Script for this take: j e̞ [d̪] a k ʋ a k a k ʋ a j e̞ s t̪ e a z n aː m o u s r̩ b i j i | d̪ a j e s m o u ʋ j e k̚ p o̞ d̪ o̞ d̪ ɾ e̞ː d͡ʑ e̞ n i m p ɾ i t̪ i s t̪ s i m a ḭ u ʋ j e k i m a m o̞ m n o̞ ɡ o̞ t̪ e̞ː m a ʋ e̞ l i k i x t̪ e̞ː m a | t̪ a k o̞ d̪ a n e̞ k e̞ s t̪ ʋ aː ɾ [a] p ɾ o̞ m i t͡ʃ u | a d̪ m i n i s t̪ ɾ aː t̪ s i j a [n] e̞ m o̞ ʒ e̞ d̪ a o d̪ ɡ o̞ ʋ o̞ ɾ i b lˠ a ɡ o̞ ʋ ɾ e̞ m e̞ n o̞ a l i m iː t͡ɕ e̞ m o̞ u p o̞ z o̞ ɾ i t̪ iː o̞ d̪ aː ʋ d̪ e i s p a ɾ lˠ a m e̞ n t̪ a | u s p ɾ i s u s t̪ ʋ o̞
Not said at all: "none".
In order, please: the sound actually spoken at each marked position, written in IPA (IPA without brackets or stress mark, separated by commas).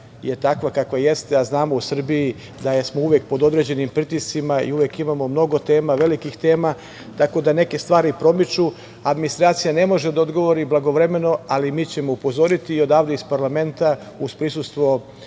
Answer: t̪, i, n